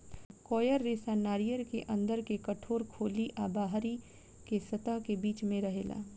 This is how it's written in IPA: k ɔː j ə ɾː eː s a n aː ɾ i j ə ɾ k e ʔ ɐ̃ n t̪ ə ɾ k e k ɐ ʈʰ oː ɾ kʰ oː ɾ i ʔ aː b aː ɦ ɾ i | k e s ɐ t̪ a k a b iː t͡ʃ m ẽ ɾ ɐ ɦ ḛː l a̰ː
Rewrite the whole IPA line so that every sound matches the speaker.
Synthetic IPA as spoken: k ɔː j ə ɾː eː s a n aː ɾ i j ə ɾ k e ʔ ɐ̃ n d̪ ə ɾ k e k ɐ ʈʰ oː ɾ kʰ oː l i ʔ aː b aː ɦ ɾ i | k e s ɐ t̪ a k e b iː t͡ʃ m ẽ ɾ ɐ ɦ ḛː l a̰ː